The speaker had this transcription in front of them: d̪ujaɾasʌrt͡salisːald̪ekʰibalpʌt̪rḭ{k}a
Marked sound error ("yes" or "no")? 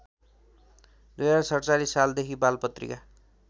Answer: no